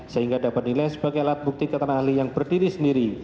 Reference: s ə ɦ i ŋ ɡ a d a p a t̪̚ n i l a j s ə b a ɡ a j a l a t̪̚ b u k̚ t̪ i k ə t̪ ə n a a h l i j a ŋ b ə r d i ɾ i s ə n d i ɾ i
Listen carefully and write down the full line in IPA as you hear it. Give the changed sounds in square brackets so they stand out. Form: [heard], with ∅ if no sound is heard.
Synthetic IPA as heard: s ə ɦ i ŋ ɡ a d a p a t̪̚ n i l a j s ə b a ɡ a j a l a t̪̚ b u k̚ t̪ i k ə t̪ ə n a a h l i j a ŋ b ə r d i ɾ i s ə n d i ɾ i